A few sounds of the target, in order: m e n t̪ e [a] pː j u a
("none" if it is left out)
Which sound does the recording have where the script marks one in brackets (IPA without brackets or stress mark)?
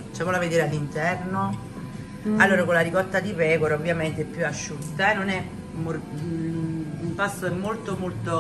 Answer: ɛ